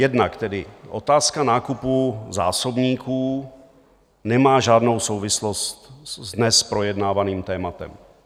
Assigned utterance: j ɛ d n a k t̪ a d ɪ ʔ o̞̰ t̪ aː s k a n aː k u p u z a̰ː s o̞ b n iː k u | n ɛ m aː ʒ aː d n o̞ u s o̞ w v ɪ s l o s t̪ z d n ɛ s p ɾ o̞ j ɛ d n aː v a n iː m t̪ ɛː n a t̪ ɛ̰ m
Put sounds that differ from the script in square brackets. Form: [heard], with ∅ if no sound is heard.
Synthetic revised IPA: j ɛ d n a k t̪ [ɛ] d ɪ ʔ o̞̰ t̪ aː s k a n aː k u p u z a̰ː s o̞ b [ɲ] iː k [uː] | n ɛ m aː ʒ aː d n o̞ [w] s o̞ w v ɪ s l o s t̪ z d n ɛ s p ɾ o̞ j ɛ d n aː v a n iː m t̪ ɛː [m] a t̪ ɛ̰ m